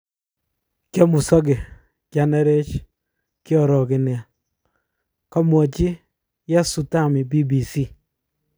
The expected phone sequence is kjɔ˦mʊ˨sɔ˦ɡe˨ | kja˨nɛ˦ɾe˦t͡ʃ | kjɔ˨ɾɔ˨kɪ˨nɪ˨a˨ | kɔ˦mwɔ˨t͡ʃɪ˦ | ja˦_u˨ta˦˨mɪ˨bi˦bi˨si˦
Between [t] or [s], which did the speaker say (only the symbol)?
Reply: s